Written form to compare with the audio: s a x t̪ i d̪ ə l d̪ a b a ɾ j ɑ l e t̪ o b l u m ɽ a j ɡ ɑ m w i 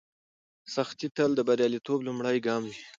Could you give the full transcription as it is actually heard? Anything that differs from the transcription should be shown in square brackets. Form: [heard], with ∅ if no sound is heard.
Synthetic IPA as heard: s a x t̪ i [t̪] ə l d̪ [ə] b a ɾ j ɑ l [i] t̪ o b l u m ɽ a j ɡ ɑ m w i